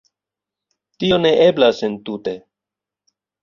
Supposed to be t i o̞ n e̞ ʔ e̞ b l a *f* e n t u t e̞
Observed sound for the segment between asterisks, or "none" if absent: s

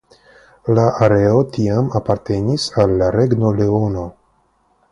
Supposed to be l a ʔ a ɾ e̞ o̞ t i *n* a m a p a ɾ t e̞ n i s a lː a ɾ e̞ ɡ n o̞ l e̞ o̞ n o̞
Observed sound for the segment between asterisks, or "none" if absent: none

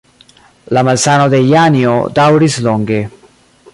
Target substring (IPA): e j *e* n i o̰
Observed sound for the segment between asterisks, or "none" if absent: a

